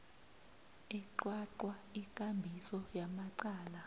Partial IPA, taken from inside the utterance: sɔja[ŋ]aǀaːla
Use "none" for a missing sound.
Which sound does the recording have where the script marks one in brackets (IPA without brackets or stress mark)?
m